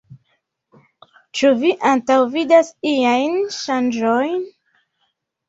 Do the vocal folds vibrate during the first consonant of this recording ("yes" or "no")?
no